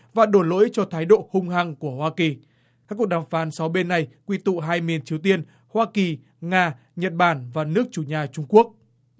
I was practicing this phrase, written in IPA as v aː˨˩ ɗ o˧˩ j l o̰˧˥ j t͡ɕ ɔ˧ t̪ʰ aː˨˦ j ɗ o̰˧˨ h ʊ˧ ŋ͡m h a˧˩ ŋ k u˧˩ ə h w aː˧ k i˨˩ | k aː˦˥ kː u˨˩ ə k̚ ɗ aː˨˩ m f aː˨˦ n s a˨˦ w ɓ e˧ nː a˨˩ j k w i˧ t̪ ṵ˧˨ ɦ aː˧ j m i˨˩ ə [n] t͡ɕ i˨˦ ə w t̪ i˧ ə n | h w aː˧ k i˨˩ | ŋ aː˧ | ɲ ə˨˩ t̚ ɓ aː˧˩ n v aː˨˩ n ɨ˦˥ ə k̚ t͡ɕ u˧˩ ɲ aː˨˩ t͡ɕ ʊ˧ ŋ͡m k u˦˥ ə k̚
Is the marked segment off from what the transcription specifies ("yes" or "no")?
no